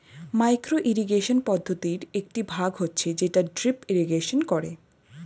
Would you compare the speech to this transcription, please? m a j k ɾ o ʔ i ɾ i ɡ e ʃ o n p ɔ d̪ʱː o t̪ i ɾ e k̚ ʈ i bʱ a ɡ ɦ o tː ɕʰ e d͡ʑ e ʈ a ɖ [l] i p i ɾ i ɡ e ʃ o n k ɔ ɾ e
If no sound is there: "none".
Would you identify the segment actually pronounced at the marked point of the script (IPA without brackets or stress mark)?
ɾ